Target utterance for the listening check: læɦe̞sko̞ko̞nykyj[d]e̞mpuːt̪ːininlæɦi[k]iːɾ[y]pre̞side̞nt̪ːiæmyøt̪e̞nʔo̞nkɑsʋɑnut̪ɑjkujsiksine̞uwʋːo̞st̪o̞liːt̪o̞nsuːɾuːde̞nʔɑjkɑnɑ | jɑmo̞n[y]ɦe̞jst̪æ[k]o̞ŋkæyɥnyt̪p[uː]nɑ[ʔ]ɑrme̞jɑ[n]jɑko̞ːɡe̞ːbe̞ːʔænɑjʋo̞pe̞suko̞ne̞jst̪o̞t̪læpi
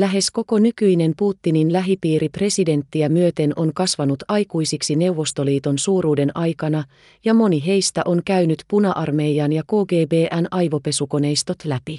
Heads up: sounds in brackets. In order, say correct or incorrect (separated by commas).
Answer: incorrect, incorrect, incorrect, incorrect, incorrect, incorrect, correct, correct